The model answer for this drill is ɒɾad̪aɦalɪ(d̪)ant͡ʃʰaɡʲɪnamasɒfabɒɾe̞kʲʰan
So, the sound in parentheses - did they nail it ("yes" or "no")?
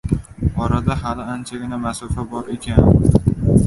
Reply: no